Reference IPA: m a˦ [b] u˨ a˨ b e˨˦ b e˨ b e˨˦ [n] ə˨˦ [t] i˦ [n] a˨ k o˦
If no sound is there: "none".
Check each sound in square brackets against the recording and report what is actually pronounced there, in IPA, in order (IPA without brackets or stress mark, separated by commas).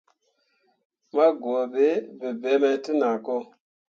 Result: ɡ, m, t, n